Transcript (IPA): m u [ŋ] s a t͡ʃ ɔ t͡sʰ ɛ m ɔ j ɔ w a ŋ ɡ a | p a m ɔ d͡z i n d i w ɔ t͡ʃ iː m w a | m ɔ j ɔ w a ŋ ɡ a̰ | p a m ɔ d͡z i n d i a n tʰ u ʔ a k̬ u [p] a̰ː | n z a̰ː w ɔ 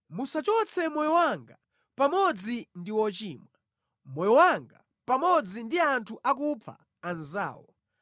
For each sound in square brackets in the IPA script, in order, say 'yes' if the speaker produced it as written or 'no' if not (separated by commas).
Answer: no, no